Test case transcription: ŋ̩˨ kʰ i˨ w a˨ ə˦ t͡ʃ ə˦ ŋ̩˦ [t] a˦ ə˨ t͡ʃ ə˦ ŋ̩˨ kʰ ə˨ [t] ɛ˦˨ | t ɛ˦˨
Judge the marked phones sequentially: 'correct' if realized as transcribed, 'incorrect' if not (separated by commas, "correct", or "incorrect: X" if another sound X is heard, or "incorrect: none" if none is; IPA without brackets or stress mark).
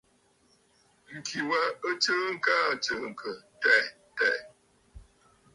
incorrect: k, correct